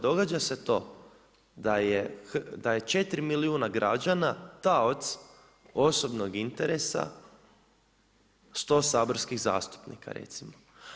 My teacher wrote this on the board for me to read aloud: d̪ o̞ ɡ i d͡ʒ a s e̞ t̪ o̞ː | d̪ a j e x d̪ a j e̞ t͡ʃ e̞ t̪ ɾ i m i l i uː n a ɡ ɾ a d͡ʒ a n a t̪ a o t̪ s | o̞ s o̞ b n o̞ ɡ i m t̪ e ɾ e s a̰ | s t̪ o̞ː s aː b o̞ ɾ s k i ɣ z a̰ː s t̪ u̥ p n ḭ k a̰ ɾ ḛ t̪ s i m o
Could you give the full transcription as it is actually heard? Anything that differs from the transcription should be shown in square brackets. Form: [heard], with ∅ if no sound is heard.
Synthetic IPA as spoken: d̪ o̞ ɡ [a] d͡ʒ a s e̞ t̪ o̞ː | d̪ a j e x d̪ a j e̞ t͡ʃ e̞ t̪ ɾ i m i l i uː n a ɡ ɾ a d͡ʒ a n a t̪ a o t̪ s | o̞ s o̞ b n o̞ ɡ i [n] t̪ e ɾ e s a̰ | s t̪ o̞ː s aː b o̞ ɾ s k i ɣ z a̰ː s t̪ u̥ p n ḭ k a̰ ɾ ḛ t̪ s i m o